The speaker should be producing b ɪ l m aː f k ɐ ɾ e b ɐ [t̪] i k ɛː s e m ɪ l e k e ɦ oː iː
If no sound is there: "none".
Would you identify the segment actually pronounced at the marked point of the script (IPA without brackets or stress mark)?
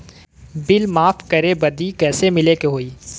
d̪